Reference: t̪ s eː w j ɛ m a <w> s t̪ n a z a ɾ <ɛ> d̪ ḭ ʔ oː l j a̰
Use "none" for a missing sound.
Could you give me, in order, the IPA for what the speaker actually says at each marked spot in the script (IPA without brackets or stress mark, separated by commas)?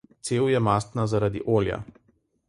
none, a